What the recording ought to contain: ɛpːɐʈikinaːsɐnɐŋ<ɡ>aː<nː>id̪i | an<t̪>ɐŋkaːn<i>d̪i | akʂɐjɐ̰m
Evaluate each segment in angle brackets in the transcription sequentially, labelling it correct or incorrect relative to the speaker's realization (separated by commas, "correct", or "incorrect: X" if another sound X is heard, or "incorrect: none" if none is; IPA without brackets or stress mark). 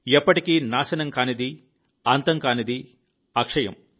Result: incorrect: k, incorrect: n, correct, correct